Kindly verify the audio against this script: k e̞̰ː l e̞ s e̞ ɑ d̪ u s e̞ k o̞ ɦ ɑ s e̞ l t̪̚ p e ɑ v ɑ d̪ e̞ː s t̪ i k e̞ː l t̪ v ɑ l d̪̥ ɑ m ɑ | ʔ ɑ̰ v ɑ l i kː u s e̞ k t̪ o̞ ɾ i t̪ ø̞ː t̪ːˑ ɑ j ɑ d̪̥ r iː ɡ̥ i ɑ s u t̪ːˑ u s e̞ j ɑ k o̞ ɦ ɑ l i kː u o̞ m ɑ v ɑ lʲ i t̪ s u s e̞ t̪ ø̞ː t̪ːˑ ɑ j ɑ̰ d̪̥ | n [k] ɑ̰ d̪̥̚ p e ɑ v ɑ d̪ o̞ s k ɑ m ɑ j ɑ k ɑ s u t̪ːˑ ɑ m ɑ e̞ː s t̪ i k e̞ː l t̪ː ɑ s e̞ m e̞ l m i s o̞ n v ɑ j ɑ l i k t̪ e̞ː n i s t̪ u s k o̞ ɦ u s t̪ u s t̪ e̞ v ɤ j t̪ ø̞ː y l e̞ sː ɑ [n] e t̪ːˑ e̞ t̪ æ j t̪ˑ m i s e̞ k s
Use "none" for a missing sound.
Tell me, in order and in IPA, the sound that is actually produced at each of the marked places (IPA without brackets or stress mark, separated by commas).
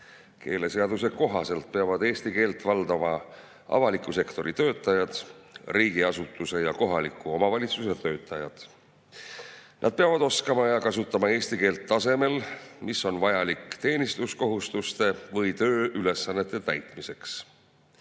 ʔ, nː